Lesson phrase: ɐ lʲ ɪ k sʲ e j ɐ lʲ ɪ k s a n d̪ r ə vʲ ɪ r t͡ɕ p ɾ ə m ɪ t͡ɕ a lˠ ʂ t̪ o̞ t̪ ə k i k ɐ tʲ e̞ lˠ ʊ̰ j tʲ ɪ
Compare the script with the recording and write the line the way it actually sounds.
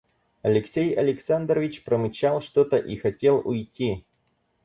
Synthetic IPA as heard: ɐ lʲ ɪ k sʲ e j ɐ lʲ ɪ k s a n d̪ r ə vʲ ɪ t͡ɕ p ɾ ə m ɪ t͡ɕ a lˠ ʂ t̪ o̞ t̪ ə ʔ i x ɐ tʲ e̞ lˠ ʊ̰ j tʲ i

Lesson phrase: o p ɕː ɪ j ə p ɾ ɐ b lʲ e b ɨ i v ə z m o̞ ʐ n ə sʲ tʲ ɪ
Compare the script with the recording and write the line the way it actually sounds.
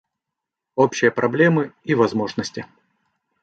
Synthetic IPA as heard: o p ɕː ɪ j ə p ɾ ɐ b lʲ e m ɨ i v ɐ z m o̞ ʐ n ə sʲ tʲ ɪ

